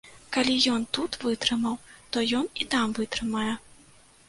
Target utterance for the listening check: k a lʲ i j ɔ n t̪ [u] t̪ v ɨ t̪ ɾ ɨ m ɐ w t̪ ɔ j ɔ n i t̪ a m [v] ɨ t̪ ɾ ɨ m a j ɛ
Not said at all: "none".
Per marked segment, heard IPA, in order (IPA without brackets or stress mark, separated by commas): u, v